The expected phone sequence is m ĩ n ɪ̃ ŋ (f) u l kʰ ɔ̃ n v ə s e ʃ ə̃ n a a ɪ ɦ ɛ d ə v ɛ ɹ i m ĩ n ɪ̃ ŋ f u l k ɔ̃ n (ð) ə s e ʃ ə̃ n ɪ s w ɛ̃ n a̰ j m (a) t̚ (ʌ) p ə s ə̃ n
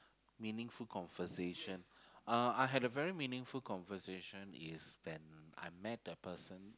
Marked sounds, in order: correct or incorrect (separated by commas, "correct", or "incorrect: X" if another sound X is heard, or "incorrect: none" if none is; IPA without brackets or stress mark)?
correct, incorrect: v, incorrect: ɛ, incorrect: ə